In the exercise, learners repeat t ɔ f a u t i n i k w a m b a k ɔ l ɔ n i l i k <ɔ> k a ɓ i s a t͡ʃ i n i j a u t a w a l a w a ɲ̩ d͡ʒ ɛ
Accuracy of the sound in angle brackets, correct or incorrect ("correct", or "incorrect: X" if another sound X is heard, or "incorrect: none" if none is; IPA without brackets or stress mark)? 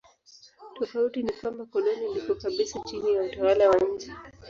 correct